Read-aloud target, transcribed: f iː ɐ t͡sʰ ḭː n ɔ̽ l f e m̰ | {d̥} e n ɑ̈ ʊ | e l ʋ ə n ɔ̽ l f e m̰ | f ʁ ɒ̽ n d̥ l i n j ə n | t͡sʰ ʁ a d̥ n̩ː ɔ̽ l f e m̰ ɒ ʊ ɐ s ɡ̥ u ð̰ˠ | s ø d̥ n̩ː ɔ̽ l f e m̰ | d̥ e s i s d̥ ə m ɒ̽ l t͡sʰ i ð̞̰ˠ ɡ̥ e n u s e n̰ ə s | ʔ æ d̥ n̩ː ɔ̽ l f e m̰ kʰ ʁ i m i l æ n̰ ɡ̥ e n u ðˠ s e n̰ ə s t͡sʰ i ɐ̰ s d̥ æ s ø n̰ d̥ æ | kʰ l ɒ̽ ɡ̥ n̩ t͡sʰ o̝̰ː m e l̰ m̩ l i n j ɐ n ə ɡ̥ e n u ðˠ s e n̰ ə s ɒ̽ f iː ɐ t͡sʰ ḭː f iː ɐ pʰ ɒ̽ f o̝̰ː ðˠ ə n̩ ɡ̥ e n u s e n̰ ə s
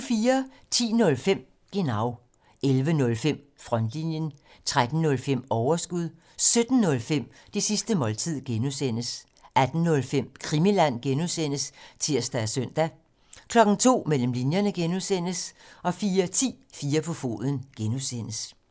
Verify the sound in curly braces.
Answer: incorrect: ɡ̥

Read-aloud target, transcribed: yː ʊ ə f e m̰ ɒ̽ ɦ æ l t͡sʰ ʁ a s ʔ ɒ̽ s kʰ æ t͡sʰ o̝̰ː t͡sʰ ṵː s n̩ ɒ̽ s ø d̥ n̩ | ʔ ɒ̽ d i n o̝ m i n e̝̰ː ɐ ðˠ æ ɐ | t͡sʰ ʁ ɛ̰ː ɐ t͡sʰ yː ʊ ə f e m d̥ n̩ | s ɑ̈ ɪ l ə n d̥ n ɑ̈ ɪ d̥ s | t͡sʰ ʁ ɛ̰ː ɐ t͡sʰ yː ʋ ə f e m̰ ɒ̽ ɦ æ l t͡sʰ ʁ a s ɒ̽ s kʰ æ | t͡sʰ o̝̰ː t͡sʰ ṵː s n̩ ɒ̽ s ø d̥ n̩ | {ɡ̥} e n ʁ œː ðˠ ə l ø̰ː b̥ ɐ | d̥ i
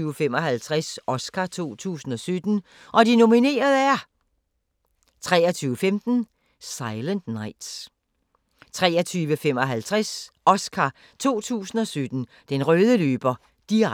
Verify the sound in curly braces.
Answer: incorrect: d̥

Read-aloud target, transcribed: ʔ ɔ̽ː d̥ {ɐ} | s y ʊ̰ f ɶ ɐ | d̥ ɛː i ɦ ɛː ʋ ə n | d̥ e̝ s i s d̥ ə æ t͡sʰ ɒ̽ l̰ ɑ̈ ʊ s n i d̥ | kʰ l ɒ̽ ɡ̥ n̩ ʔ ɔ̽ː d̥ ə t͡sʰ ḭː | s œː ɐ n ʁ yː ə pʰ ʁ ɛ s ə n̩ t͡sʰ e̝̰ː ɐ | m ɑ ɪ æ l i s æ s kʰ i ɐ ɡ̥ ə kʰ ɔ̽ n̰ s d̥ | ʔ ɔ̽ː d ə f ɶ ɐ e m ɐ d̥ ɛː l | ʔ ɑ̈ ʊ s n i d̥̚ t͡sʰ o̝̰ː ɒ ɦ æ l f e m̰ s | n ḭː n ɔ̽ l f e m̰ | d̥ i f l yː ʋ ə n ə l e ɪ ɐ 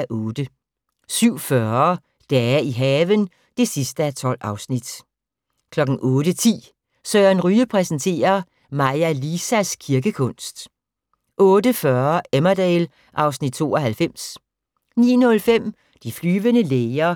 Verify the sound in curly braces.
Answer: incorrect: ə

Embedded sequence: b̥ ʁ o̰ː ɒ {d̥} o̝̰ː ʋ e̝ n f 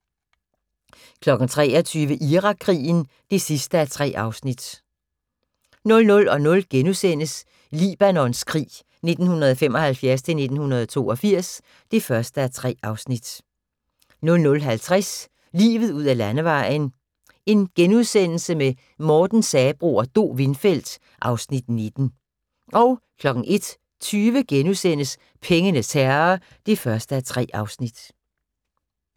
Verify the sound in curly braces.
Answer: correct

